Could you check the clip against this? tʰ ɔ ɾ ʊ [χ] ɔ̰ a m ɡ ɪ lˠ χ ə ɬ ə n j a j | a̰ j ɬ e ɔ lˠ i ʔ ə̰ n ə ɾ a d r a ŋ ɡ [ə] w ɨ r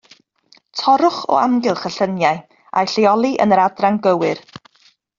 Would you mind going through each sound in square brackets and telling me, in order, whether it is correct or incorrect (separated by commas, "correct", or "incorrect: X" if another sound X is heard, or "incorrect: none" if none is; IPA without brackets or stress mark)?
correct, correct